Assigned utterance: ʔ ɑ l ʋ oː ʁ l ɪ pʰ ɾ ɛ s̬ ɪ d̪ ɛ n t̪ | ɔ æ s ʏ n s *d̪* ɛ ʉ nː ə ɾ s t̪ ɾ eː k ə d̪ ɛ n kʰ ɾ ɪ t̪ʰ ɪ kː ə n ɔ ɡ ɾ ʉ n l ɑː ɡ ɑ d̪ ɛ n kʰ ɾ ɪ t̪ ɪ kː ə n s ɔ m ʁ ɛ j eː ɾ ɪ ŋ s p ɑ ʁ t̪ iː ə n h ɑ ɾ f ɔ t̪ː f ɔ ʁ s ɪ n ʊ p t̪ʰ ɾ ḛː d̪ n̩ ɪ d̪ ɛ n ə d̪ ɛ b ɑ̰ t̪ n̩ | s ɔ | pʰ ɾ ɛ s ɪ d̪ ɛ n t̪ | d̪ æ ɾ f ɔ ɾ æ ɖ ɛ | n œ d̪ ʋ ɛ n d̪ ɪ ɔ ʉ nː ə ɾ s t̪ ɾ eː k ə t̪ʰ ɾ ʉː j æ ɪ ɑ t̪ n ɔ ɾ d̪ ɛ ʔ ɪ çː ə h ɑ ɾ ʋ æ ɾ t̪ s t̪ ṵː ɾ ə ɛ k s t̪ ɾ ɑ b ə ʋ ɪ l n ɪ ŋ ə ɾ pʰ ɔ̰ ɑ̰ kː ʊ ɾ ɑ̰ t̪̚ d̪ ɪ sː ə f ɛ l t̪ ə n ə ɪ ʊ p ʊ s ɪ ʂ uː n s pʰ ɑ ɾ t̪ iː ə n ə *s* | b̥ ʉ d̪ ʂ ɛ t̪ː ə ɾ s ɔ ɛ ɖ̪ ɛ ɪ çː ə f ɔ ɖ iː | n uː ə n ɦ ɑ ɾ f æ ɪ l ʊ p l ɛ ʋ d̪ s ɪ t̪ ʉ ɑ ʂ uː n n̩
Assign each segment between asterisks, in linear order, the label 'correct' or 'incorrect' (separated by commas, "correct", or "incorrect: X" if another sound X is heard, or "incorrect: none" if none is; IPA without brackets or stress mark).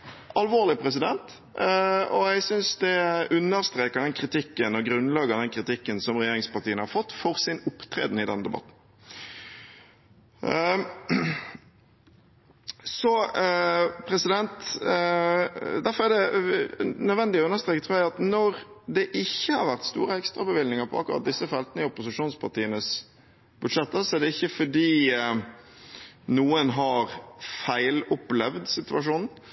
correct, correct